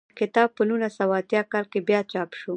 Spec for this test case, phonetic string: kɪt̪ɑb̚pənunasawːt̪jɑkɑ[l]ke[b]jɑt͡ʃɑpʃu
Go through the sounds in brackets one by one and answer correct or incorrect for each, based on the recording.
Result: correct, correct

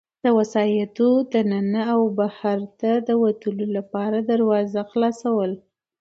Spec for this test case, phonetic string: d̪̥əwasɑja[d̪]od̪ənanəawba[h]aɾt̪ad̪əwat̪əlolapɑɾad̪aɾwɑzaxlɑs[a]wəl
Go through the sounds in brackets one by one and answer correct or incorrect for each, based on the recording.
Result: incorrect, correct, correct

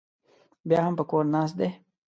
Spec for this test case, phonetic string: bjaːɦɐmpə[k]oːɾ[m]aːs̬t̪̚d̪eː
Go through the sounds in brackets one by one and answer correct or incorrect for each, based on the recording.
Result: correct, incorrect

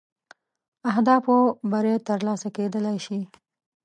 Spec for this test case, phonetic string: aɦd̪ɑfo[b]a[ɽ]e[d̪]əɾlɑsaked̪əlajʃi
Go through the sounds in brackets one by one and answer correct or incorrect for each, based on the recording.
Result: correct, incorrect, incorrect

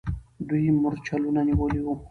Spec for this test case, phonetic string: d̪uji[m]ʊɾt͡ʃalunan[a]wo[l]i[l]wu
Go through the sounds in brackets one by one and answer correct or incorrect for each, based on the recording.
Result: correct, incorrect, correct, incorrect

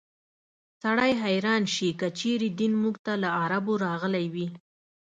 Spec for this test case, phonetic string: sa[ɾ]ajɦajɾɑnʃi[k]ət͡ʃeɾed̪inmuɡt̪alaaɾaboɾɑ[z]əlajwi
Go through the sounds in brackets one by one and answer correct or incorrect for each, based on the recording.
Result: incorrect, correct, incorrect

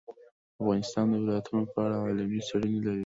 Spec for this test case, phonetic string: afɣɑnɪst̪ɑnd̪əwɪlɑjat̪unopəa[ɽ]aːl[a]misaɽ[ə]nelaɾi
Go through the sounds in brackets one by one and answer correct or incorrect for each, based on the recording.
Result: correct, correct, correct

